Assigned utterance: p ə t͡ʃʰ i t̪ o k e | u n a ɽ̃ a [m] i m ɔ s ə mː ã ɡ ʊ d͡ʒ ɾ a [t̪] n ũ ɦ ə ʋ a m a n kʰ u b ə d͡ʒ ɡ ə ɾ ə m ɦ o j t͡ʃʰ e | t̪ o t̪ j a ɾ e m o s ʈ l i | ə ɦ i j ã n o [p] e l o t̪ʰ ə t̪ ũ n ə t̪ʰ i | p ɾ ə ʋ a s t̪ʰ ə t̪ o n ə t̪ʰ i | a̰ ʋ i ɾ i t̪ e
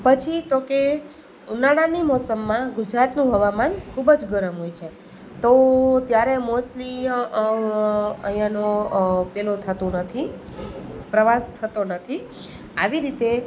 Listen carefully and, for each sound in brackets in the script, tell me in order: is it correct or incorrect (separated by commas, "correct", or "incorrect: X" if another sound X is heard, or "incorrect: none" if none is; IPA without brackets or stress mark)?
incorrect: n, correct, correct